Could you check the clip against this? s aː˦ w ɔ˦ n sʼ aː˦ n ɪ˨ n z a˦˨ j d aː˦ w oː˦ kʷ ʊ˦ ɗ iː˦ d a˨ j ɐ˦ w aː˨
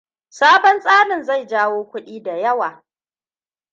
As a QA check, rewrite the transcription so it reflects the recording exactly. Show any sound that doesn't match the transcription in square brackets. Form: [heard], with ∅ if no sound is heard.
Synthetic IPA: s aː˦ [b] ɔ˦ n sʼ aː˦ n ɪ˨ n z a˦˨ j [d͡ʒ] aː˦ w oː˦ kʷ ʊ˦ ɗ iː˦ d a˨ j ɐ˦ w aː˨